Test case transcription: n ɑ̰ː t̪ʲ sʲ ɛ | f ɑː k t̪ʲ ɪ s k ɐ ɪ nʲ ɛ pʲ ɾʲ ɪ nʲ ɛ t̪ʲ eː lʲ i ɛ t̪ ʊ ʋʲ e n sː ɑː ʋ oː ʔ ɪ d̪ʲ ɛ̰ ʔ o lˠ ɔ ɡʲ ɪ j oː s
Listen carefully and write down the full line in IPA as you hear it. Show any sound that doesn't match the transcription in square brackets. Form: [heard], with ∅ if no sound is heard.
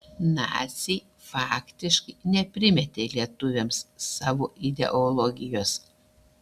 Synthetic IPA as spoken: n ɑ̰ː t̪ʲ sʲ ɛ | f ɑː k t̪ʲ ɪ [ʃ] k ɐ ɪ nʲ ɛ pʲ ɾʲ ɪ [mʲ] ɛ t̪ʲ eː lʲ i ɛ t̪ ʊ ʋʲ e [m] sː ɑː ʋ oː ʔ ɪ d̪ʲ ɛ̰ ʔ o lˠ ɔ ɡʲ ɪ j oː s